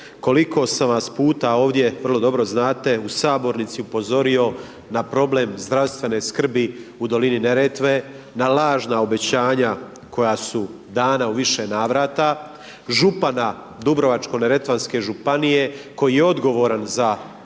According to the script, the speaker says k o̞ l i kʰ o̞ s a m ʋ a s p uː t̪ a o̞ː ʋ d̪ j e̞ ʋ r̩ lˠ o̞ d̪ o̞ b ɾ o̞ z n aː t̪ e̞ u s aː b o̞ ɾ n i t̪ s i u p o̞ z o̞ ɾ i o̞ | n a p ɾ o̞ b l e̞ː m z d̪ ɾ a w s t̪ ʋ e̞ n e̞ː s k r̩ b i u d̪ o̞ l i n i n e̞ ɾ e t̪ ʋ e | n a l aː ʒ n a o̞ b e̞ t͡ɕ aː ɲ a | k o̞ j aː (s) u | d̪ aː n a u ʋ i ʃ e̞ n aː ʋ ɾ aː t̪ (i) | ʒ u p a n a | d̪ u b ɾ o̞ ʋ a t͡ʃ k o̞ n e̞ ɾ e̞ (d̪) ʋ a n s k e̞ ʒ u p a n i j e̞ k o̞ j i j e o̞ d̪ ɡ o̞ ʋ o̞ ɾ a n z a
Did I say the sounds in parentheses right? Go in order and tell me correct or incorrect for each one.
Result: correct, incorrect: a, incorrect: t̪

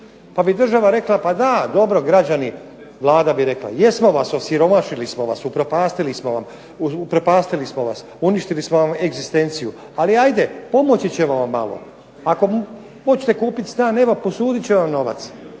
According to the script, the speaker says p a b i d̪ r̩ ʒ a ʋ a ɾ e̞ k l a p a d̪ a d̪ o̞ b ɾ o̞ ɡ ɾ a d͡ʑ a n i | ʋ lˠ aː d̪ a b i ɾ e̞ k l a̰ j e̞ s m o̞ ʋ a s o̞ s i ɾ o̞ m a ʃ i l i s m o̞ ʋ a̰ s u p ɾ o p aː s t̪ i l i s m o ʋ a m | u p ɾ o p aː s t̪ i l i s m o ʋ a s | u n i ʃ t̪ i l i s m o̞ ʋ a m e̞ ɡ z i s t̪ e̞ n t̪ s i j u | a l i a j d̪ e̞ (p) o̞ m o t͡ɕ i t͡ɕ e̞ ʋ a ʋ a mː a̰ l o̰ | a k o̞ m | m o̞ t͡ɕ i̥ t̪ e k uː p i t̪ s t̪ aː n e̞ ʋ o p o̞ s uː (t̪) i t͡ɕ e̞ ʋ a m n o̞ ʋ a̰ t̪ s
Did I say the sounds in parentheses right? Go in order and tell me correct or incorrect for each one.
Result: correct, incorrect: d̪

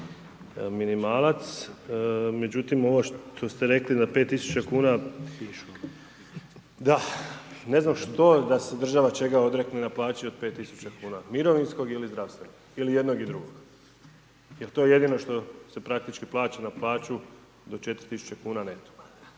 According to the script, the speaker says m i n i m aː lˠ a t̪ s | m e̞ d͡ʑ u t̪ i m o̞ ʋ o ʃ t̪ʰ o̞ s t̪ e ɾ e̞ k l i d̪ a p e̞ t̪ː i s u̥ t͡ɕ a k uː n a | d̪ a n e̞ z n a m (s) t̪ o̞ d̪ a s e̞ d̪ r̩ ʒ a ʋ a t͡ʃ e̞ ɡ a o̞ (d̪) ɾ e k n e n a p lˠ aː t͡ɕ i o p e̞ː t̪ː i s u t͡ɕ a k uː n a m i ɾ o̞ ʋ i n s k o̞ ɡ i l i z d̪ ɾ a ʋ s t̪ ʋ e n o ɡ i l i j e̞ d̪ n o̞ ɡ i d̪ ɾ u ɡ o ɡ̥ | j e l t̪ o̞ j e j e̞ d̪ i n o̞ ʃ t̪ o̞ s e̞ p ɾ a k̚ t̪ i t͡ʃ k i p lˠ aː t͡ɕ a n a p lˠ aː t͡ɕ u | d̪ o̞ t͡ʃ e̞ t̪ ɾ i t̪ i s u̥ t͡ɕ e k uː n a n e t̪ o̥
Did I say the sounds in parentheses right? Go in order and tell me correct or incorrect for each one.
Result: incorrect: ʃ, correct

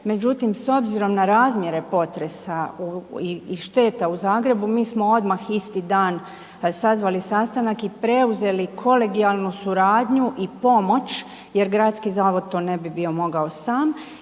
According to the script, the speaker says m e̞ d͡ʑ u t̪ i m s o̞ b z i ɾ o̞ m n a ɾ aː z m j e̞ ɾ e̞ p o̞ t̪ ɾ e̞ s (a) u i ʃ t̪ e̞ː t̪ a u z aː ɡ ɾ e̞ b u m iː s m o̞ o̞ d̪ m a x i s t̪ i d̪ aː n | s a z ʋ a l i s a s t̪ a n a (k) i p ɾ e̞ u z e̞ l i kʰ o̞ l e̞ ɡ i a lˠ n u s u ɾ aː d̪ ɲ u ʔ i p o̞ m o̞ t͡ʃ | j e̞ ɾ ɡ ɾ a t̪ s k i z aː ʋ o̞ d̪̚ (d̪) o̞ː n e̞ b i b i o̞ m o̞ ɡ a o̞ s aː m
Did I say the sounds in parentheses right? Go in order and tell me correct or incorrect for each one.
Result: correct, correct, incorrect: t̪

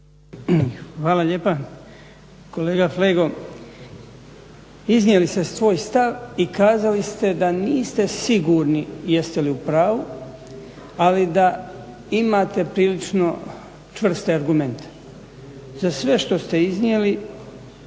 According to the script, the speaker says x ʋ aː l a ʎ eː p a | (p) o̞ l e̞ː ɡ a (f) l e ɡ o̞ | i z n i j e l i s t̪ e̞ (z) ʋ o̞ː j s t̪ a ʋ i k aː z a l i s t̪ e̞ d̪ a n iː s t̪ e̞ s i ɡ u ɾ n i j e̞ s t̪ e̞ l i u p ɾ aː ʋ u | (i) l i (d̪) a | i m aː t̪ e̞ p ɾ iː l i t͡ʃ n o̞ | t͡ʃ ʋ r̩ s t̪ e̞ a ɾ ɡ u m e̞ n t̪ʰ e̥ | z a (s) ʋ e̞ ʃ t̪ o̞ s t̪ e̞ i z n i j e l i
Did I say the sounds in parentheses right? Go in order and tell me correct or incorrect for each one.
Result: incorrect: k, correct, incorrect: s, incorrect: a, correct, correct

